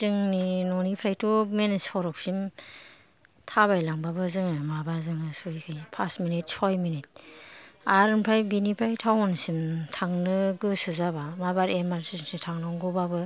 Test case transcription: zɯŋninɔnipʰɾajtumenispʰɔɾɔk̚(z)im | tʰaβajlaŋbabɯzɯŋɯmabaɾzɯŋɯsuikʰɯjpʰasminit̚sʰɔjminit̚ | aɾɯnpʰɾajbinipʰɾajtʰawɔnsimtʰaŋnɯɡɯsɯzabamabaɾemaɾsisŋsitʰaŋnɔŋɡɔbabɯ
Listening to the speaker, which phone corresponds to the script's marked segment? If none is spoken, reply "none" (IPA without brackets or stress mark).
s